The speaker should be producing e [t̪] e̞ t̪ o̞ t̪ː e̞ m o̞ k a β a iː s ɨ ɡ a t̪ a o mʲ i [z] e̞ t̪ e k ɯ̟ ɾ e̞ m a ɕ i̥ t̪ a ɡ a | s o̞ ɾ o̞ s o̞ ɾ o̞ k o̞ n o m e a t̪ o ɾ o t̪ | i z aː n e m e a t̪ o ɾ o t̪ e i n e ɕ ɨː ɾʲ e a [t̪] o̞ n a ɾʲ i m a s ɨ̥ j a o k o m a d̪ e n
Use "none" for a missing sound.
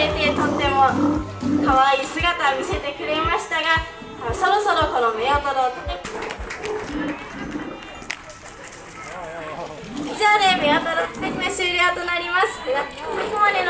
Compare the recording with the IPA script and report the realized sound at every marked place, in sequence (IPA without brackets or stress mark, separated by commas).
t̪, s, t̪